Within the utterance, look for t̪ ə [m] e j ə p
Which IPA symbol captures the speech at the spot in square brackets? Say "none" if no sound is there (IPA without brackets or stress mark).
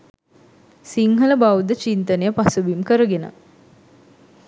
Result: n